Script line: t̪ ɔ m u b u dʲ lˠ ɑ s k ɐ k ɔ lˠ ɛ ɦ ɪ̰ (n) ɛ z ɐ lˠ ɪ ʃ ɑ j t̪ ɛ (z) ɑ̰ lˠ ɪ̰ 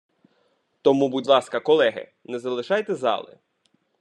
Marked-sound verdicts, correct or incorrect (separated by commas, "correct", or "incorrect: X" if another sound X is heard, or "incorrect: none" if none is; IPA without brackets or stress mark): correct, correct